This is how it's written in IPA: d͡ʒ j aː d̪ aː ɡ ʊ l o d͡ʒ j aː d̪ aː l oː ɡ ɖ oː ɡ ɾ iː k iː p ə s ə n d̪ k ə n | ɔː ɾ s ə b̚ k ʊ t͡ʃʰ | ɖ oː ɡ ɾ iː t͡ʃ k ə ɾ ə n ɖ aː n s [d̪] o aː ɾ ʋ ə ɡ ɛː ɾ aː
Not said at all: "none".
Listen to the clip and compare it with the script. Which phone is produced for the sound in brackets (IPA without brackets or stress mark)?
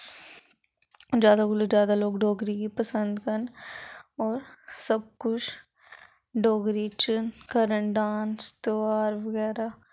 t̪